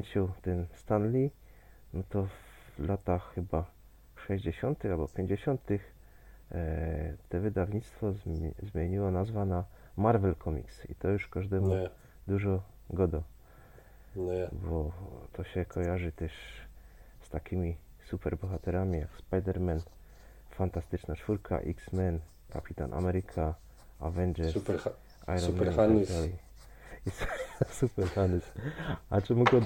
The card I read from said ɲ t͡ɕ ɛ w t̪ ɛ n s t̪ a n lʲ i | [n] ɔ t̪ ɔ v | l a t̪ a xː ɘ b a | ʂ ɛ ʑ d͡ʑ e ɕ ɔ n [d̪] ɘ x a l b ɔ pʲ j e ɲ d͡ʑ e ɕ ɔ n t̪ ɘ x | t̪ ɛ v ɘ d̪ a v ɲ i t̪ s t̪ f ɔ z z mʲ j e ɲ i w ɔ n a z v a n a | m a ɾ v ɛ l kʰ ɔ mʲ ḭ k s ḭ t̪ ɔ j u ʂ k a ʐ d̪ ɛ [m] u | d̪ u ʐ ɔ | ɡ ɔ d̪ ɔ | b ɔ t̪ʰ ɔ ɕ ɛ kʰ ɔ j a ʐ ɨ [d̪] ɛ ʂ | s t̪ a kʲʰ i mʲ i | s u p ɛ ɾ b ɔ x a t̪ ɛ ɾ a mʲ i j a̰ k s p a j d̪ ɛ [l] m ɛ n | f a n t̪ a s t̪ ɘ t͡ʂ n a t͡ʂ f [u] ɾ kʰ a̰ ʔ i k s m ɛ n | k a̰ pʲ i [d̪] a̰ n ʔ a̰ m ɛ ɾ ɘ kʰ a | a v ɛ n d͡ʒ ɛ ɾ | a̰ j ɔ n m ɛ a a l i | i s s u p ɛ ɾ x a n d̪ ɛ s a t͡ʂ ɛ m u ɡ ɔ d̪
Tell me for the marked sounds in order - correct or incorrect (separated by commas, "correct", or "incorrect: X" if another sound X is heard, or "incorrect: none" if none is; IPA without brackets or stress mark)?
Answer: correct, incorrect: t̪, correct, incorrect: t̪, incorrect: ɾ, correct, incorrect: t̪